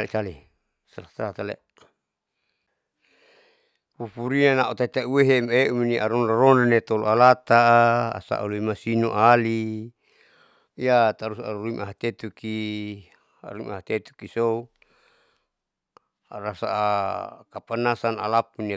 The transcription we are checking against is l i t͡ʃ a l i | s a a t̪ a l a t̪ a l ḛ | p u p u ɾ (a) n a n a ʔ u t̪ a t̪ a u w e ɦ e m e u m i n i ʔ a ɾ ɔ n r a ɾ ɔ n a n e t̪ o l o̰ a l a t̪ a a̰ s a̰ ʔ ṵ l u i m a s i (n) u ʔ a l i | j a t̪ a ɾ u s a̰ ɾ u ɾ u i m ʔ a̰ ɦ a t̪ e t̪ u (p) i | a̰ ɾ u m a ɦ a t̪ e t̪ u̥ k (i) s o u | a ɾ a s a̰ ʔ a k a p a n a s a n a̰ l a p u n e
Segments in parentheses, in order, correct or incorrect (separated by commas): incorrect, correct, incorrect, correct